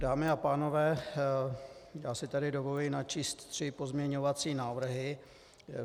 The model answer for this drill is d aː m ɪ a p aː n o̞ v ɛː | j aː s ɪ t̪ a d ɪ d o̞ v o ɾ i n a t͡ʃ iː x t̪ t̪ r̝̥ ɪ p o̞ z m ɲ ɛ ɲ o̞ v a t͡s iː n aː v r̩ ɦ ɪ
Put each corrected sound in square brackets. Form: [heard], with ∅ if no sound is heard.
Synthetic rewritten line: d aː m ɪ a p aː n o̞ v ɛː | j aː s ɪ t̪ a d ɪ d o̞ v o [l] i n a t͡ʃ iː [s] t̪ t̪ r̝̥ ɪ p o̞ z m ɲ ɛ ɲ o̞ v a t͡s iː n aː v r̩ ɦ ɪ